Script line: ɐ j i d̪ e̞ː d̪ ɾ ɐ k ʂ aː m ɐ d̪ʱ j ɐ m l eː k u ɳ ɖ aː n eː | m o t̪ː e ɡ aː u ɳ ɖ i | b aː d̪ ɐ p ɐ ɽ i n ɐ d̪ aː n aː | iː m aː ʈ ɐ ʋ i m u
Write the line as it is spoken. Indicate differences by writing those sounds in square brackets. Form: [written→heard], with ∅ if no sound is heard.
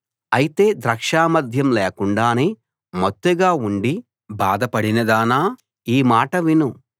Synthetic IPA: ɐ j i [d̪→t̪] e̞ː d̪ ɾ ɐ k ʂ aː m ɐ d̪ʱ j ɐ m l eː k u ɳ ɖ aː n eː | m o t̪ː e ɡ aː u ɳ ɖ i | b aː d̪ ɐ p ɐ ɽ i n ɐ d̪ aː n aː | iː m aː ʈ ɐ ʋ i [m→n] u